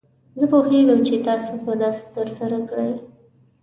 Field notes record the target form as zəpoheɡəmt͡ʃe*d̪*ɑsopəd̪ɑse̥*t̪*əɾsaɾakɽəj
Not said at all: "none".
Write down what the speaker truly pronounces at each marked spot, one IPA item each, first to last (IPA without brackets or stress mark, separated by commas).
t̪, t̪